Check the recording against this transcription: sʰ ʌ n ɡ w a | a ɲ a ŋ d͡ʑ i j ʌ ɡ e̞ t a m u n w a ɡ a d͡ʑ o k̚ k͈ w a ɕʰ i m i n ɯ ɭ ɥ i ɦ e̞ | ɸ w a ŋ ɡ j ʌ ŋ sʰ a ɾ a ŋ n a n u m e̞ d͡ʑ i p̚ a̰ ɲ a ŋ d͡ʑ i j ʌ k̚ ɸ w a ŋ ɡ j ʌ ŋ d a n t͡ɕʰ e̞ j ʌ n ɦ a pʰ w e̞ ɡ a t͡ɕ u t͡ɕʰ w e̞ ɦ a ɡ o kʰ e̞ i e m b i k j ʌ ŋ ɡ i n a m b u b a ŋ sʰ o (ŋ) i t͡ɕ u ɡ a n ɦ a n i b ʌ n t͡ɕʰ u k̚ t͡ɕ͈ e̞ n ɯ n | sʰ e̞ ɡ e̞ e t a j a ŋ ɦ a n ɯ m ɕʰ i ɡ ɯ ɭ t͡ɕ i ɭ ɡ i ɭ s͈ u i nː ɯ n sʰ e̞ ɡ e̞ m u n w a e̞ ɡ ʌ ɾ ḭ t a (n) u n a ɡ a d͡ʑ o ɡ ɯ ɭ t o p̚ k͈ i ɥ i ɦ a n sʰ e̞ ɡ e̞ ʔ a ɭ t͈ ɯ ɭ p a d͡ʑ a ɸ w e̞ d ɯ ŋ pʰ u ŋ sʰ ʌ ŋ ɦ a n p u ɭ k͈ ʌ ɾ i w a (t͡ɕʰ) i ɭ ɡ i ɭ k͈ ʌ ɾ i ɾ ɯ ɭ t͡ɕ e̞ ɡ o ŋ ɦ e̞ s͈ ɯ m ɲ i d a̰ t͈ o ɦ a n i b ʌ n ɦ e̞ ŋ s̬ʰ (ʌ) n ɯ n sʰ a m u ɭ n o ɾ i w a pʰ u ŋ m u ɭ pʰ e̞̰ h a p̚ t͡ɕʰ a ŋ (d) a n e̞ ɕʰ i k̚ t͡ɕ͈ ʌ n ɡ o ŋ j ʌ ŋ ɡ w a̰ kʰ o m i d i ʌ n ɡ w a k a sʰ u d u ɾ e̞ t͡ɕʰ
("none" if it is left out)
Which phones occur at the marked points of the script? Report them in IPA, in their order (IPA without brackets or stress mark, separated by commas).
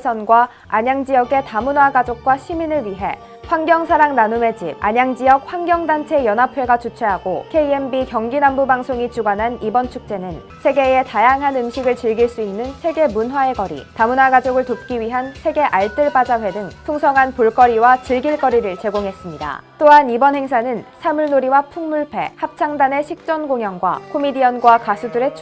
ŋ, m, t͡ɕ, a, d